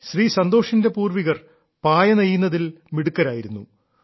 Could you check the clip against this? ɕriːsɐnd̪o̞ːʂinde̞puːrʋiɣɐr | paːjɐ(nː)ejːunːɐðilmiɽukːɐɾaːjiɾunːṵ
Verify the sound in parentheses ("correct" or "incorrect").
incorrect